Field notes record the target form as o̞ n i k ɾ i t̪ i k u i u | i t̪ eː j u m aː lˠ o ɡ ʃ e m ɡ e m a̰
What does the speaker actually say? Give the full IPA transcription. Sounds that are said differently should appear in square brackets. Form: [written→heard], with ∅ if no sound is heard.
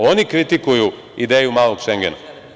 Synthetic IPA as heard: o̞ n i k ɾ i t̪ i k u [i→j] u | i [t̪→d̪] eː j u m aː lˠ o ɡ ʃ e [m→ŋ] ɡ e [m→n] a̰